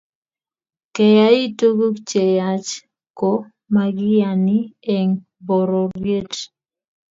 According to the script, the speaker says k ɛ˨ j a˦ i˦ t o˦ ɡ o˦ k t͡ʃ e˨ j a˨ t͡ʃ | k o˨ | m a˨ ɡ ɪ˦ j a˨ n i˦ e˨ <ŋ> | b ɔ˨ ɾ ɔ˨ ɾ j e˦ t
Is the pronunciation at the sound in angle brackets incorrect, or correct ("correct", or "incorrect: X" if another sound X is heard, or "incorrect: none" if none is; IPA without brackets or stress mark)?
correct